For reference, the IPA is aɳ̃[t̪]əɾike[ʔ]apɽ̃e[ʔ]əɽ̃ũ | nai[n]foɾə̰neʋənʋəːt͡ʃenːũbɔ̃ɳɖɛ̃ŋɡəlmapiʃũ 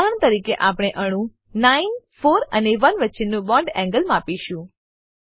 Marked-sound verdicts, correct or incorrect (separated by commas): correct, correct, correct, correct